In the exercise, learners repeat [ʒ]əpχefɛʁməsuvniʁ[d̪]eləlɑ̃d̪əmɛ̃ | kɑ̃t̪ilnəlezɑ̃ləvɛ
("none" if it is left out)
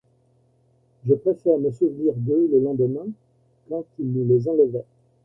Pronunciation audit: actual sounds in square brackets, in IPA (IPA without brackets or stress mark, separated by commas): ʒ, d̪